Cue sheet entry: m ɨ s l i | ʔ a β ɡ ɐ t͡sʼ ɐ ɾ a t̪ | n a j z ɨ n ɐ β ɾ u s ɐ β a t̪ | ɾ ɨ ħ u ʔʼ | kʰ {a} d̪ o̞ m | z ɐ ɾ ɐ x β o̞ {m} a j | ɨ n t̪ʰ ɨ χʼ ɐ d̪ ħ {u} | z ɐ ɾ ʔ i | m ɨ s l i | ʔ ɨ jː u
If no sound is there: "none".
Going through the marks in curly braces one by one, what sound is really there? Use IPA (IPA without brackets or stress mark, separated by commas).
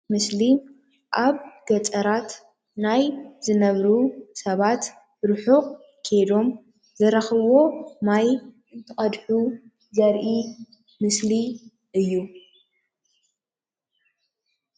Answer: e, m, u